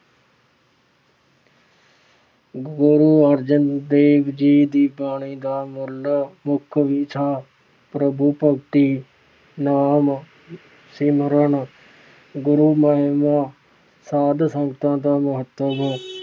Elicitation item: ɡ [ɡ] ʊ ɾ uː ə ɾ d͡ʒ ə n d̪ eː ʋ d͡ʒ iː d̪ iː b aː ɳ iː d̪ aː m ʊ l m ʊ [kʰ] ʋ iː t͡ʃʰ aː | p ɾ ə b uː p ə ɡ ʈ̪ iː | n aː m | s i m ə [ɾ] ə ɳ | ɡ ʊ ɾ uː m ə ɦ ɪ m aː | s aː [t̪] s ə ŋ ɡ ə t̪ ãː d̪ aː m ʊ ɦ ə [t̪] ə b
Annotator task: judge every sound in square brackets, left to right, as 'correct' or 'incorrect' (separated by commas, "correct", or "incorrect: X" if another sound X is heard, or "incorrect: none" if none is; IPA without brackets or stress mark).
correct, correct, correct, incorrect: d̪, correct